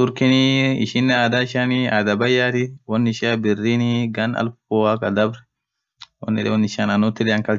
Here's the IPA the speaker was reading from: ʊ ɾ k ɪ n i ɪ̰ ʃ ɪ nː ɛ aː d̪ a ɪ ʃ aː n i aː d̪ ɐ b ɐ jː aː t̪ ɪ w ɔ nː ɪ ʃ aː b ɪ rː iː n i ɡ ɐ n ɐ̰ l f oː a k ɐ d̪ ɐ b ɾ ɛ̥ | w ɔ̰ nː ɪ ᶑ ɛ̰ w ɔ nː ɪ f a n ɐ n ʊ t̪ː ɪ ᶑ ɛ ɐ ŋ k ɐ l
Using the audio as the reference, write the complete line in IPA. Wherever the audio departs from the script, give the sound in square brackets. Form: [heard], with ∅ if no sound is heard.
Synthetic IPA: ʊ ɾ k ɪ n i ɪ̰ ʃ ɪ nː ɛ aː d̪ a ɪ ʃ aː n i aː d̪ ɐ b ɐ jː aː t̪ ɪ w ɔ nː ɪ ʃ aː b ɪ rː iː n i ɡ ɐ n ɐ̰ l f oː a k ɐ d̪ ɐ b ɾ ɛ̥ | w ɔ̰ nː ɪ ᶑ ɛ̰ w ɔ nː ɪ [ʃ] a n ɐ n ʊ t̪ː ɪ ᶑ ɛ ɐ ŋ k ɐ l

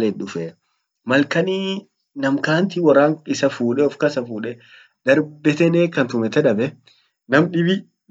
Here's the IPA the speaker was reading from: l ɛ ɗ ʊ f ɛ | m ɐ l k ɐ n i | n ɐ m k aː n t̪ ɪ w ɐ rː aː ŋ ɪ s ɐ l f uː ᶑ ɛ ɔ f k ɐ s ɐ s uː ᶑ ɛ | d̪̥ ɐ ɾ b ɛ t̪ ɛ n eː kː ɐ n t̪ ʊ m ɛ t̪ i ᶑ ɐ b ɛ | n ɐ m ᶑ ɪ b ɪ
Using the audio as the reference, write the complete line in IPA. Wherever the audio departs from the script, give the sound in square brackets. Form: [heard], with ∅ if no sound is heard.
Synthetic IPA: l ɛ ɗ ʊ f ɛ | m ɐ l k ɐ n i | n ɐ m k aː n t̪ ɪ w ɐ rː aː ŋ ɪ s ɐ [∅] f uː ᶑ ɛ ɔ f k ɐ s ɐ [f] uː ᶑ ɛ | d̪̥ ɐ ɾ b ɛ t̪ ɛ n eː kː ɐ n t̪ ʊ m ɛ t̪ [ɛ] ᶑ ɐ b ɛ | n ɐ m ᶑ ɪ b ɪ

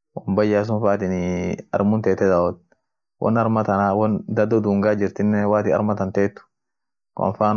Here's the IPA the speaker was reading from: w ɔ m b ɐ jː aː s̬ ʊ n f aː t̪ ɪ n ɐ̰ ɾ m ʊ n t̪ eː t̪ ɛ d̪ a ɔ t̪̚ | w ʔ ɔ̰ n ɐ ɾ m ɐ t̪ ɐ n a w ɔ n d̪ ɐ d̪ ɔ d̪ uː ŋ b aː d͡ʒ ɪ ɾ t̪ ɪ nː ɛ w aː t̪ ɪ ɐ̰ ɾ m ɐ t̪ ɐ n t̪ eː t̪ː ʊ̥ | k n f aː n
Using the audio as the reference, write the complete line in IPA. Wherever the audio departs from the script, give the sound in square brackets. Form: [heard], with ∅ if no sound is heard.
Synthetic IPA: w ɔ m b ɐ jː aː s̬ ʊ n f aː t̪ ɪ n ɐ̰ ɾ m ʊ n t̪ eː t̪ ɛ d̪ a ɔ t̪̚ | w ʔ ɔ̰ n ɐ ɾ m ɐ t̪ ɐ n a w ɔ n d̪ ɐ d̪ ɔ d̪ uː ŋ [ɡ] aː d͡ʒ ɪ ɾ t̪ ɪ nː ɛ w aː t̪ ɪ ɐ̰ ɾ m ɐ t̪ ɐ n t̪ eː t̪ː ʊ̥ | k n f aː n

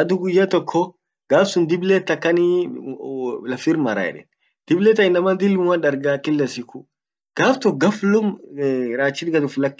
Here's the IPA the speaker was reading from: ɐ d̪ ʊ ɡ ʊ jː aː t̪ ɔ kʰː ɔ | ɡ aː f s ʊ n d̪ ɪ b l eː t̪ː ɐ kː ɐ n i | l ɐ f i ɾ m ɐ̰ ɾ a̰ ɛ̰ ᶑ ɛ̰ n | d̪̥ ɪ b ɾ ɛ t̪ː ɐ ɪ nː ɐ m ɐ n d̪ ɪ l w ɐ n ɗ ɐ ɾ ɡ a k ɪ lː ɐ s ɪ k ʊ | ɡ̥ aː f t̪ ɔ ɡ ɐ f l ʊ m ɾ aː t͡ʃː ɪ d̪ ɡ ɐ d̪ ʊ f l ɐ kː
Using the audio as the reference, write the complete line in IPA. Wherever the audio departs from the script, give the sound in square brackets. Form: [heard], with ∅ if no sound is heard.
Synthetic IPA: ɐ d̪ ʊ ɡ ʊ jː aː t̪ ɔ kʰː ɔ | ɡ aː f s ʊ n d̪ ɪ b l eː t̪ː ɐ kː ɐ n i | l ɐ f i ɾ m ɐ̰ ɾ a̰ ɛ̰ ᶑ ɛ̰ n | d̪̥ ɪ b [l] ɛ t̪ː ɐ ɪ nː ɐ m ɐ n d̪ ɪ l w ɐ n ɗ ɐ ɾ ɡ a k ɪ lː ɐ s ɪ k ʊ | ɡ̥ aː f t̪ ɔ ɡ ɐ f l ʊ m ɾ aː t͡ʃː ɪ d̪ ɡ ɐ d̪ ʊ f l ɐ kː

